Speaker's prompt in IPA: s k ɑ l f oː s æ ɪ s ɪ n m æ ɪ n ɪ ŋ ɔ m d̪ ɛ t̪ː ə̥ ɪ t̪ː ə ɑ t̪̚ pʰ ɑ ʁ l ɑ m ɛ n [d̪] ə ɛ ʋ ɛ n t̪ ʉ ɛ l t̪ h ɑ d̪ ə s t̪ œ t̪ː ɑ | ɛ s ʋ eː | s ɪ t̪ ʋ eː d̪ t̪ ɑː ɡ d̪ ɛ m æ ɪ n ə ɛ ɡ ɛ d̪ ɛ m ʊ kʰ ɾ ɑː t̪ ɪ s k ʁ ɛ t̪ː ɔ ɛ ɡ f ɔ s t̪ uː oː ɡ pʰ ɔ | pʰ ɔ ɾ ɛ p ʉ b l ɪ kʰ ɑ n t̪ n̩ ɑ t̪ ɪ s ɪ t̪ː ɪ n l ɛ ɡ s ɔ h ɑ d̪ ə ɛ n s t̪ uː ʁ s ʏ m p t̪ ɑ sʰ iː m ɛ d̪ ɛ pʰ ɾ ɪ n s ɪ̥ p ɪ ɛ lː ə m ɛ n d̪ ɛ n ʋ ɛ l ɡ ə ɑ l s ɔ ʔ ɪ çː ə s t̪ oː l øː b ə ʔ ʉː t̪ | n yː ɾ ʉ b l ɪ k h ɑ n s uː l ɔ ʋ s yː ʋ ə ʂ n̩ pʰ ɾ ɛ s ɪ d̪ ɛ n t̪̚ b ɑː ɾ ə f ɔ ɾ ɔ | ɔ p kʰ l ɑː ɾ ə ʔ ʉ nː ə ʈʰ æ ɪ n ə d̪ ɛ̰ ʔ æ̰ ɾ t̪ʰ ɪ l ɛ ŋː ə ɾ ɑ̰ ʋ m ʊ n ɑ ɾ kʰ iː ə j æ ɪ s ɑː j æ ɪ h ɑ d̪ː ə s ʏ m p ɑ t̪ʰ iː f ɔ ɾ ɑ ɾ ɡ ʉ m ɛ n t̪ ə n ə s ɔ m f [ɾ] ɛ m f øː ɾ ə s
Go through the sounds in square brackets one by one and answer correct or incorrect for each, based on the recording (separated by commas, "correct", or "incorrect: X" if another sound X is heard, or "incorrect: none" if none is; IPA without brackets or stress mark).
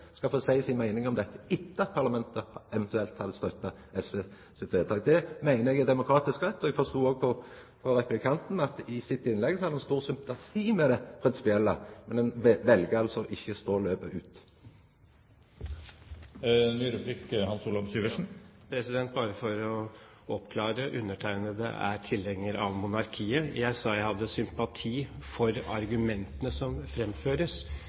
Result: incorrect: t̪, correct